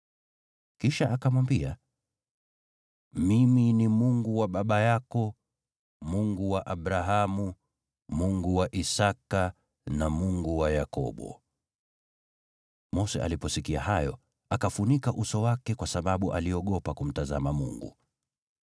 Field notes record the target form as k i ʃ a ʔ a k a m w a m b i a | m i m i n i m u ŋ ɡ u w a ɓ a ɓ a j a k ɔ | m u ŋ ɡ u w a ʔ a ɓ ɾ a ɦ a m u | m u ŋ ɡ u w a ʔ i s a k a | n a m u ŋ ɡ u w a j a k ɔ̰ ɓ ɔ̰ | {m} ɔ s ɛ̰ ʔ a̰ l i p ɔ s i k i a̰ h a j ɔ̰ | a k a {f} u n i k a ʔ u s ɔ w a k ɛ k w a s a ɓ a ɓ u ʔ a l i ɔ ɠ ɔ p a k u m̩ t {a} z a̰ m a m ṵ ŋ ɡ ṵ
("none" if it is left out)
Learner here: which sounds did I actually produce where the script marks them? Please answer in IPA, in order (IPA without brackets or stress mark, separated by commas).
m, f, a